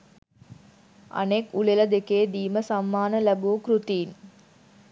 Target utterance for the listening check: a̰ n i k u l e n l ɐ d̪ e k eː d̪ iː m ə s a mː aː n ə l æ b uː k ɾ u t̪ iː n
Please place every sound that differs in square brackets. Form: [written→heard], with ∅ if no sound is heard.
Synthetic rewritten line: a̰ n [i→e] k u l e [n→∅] l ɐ d̪ e k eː d̪ iː m ə s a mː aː n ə l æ b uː k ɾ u t̪ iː n

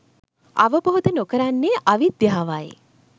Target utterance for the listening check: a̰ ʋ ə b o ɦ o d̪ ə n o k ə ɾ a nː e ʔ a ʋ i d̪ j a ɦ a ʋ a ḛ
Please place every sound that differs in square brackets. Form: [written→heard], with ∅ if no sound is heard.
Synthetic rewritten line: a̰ ʋ ə b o ɦ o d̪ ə n o k ə ɾ a nː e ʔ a ʋ i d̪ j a ɦ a ʋ a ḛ

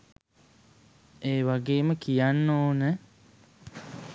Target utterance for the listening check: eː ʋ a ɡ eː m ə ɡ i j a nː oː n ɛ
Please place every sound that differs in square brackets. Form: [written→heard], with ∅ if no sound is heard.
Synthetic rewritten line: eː ʋ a ɡ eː m ə [ɡ→k] i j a nː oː n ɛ

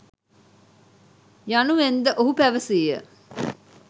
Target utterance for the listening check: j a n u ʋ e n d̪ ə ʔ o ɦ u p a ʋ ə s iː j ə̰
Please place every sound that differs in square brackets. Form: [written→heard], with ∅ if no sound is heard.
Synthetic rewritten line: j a n u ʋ e n d̪ ə ʔ o ɦ u p [a→æ] ʋ ə s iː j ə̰

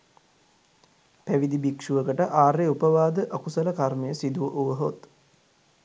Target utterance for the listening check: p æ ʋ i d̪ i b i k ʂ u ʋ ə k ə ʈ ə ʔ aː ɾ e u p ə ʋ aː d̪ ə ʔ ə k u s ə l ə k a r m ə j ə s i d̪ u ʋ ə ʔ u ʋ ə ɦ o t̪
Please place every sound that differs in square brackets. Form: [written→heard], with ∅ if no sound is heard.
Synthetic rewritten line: p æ ʋ i d̪ i b i k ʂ u ʋ ə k ə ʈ ə ʔ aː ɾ e u p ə ʋ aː d̪ ə ʔ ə k u s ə l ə k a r m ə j ə s i d̪ u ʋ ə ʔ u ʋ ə ɦ o t̪

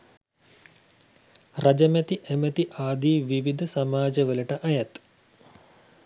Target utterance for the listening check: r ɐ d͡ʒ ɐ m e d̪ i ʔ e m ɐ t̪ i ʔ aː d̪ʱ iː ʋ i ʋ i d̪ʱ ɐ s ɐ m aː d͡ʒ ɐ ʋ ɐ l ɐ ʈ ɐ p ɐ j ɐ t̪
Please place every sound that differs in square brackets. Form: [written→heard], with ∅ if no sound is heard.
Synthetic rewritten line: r ɐ d͡ʒ ɐ m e [d̪→t̪] i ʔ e m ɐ t̪ i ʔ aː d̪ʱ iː ʋ i ʋ i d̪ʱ ɐ s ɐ m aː d͡ʒ ɐ ʋ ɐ l ɐ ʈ ɐ [p→ʔ] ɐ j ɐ t̪

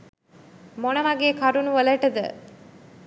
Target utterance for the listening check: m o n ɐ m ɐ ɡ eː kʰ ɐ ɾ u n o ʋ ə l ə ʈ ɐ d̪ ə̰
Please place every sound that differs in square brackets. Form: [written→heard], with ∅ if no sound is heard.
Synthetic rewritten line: m o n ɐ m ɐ ɡ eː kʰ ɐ ɾ u n [o→u] ʋ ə l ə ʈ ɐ d̪ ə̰

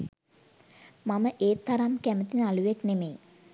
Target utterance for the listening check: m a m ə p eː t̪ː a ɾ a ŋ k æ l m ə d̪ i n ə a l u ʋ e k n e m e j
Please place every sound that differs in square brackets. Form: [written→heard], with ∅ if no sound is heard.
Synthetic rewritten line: m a m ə [p→ʔ] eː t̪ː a ɾ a [ŋ→m] k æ [l→∅] m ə [d̪→t̪] i n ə a l u ʋ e k n e m e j

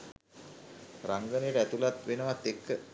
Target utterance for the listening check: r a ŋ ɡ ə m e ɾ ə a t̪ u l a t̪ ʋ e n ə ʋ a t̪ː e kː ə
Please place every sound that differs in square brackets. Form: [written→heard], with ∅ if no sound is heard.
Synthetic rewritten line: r a ŋ ɡ ə [m→n] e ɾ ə [a→æ] t̪ u l a t̪ ʋ e n ə ʋ a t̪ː e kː ə

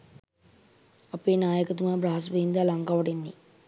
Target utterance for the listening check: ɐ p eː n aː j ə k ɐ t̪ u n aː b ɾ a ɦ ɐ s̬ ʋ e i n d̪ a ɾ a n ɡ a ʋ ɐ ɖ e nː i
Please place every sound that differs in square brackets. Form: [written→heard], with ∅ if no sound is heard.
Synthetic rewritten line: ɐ p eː n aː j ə k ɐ t̪ u [n→m] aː b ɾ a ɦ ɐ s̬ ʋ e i n d̪ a [ɾ→l] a [n→ŋ] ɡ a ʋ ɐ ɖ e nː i

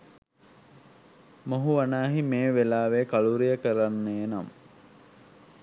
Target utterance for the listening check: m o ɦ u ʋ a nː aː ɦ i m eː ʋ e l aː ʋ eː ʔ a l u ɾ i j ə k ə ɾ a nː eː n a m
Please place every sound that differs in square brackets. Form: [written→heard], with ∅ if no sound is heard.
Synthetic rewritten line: m o ɦ u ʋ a [nː→n] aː ɦ i m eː ʋ e l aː ʋ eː [ʔ→k] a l u ɾ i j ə k ə ɾ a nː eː n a m

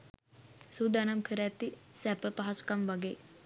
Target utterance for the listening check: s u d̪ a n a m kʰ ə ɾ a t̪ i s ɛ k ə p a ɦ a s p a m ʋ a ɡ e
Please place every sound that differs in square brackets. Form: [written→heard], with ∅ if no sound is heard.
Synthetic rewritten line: s u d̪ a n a m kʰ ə ɾ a t̪ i s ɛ [k→p] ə p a ɦ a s [p→k] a m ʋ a ɡ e

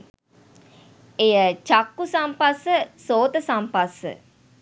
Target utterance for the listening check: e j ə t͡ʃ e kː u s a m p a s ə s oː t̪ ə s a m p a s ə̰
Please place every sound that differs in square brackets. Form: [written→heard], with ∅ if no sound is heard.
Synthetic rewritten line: e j ə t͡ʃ [e→a] kː u s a m p a s ə s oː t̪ ə s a m p a s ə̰

